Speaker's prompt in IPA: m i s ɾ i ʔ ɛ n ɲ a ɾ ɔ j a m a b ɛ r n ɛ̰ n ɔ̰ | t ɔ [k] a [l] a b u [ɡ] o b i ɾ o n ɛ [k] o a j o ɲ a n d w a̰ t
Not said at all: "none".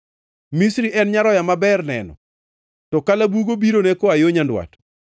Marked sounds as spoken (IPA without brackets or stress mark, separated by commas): k, l, ɡ, k